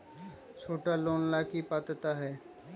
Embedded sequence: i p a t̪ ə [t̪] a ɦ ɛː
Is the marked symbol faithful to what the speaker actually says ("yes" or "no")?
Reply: yes